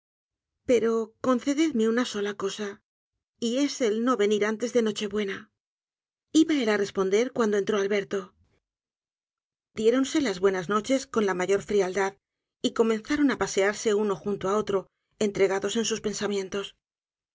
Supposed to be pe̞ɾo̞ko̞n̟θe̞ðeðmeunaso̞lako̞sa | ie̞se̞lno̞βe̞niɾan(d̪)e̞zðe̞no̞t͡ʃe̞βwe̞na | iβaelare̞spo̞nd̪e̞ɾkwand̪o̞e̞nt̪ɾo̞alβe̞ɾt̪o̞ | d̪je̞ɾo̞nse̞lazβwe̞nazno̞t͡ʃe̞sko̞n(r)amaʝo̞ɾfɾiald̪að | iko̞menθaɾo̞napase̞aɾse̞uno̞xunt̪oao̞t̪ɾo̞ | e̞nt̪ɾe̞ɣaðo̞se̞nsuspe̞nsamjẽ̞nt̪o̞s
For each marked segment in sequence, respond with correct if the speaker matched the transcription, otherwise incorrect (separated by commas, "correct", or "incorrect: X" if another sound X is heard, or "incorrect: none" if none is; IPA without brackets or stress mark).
incorrect: t̪, incorrect: l